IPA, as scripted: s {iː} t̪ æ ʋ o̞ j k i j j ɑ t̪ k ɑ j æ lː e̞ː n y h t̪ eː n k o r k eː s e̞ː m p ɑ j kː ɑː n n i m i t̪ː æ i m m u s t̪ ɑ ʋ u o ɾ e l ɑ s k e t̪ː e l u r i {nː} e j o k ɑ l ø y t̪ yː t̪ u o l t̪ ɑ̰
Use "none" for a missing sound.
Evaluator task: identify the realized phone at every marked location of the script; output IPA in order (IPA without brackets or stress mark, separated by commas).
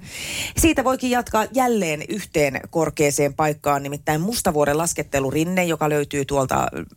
iː, nː